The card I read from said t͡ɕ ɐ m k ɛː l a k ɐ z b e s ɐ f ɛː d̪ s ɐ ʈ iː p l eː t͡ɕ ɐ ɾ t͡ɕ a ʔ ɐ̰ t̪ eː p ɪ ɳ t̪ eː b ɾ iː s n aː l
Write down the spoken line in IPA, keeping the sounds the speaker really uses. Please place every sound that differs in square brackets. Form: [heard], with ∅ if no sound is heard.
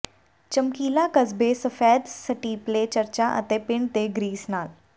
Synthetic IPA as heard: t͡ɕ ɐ m k [iː] l a k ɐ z b e s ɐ f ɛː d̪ s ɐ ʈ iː p l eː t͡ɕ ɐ ɾ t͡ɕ a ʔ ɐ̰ t̪ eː p ɪ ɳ t̪ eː [ɡ] ɾ iː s n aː l